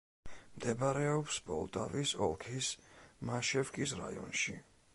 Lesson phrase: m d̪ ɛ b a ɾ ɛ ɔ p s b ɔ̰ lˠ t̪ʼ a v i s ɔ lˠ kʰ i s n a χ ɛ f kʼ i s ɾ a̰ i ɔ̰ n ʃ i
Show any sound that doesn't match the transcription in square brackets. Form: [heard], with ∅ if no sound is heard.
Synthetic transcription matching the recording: m d̪ ɛ b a ɾ ɛ ɔ p s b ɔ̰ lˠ t̪ʼ a v i s ɔ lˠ kʰ i s [m] a [ʃ] ɛ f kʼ i s ɾ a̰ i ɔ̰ n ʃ i